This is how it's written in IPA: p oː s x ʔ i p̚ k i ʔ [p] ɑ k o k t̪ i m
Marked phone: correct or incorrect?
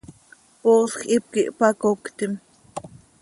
correct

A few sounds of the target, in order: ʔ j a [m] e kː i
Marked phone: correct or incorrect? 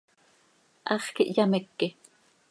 correct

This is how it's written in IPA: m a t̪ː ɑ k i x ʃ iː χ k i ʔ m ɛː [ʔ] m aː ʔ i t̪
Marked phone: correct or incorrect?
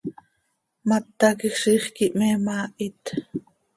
incorrect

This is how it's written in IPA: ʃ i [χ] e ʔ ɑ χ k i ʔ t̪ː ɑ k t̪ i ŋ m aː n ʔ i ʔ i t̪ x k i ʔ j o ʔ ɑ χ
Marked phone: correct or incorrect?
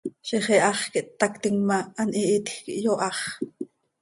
correct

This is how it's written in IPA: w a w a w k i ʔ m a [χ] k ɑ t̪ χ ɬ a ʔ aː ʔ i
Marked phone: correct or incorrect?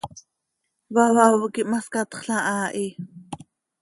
incorrect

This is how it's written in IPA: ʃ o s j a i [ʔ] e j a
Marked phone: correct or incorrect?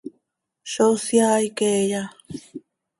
incorrect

